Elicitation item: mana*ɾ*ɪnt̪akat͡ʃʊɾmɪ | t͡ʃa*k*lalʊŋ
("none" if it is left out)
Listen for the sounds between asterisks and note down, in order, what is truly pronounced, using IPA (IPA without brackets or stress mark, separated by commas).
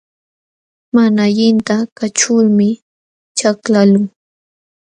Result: ʎ, k